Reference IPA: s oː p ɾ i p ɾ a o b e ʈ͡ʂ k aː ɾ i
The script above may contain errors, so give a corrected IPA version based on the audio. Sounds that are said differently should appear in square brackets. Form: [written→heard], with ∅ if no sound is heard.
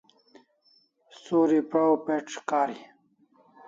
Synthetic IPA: s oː [p→∅] ɾ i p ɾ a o [b→p] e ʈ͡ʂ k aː ɾ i